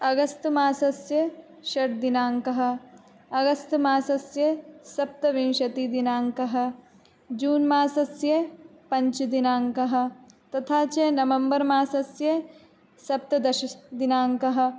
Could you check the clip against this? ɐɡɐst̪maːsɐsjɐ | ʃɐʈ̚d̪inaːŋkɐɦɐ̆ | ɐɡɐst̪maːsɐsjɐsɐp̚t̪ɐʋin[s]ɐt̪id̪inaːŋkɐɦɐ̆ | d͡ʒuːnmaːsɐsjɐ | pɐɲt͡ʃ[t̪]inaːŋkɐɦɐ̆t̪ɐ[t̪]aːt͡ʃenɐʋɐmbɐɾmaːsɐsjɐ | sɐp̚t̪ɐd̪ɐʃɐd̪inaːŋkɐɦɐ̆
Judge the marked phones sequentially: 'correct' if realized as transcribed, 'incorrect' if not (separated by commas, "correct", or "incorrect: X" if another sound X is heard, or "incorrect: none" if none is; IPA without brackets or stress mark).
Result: incorrect: ʃ, incorrect: d̪, incorrect: t̪ʰ